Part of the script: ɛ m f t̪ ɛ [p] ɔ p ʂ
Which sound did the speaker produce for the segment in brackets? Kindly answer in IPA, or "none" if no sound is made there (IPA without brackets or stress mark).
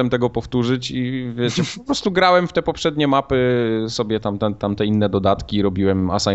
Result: p